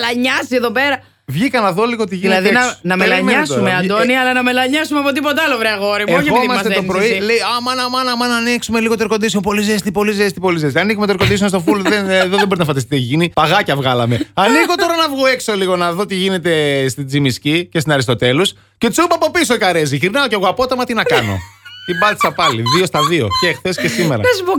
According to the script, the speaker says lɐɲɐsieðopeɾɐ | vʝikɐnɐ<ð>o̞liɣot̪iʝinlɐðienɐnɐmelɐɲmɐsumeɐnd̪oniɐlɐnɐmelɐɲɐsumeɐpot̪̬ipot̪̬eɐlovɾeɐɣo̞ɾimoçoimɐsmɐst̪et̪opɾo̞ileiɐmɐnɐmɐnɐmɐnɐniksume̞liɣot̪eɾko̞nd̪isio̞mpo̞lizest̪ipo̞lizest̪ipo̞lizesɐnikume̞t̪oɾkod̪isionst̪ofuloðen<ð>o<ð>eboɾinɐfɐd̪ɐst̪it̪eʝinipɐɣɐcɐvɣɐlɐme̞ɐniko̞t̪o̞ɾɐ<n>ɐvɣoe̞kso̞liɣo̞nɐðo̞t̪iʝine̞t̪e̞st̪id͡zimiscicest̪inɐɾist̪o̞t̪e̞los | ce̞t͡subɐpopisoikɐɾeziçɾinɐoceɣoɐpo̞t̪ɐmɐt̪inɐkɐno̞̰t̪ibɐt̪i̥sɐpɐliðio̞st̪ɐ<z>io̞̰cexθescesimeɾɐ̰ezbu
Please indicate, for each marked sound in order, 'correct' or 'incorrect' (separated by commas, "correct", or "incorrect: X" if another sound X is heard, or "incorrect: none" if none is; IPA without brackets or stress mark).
correct, correct, correct, correct, incorrect: ð